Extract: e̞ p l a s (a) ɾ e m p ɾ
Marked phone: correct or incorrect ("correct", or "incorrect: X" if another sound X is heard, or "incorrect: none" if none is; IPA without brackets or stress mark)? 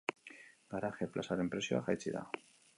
correct